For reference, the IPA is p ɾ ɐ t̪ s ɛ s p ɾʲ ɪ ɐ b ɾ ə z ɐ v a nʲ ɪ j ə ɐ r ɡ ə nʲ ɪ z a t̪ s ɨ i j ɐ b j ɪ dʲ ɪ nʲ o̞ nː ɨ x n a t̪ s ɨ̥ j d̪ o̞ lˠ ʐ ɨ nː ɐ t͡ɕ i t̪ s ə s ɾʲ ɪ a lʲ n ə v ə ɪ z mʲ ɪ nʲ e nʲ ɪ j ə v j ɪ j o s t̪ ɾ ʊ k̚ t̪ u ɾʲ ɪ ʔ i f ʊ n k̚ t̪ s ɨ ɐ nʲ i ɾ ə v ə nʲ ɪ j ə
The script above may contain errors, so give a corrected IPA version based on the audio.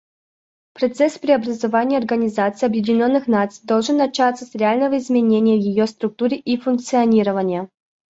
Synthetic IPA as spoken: p ɾ ɐ t̪ s ɛ s p ɾʲ ɪ ɐ b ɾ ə z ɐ v a nʲ ɪ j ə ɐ r ɡ ə nʲ ɪ z a t̪ s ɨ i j ɐ b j ɪ dʲ ɪ nʲ o̞ nː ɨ x n a t̪ s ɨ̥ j d̪ o̞ lˠ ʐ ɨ nː ɐ t͡ɕ a t̪ s ə s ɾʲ ɪ a lʲ n ə v ə ɪ z mʲ ɪ nʲ e nʲ ɪ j ə v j ɪ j o s t̪ ɾ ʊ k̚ t̪ u ɾʲ ɪ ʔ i f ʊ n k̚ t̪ s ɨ ɐ nʲ i ɾ ə v ə nʲ ɪ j ə